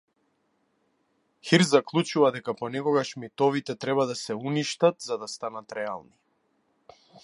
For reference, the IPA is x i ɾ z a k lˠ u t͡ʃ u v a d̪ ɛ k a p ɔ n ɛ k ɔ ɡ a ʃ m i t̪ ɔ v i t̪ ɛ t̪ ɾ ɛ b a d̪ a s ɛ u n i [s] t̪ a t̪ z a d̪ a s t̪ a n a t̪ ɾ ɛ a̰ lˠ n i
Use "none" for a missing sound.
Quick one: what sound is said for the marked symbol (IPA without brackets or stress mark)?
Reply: ʃ